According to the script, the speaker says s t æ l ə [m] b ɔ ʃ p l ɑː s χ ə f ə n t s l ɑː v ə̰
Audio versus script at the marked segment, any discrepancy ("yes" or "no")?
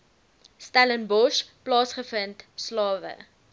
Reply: yes